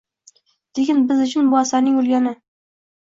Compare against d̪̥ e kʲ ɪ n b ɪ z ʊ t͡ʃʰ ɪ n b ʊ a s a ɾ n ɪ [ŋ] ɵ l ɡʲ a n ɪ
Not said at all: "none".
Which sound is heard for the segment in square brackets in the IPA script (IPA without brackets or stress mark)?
ŋ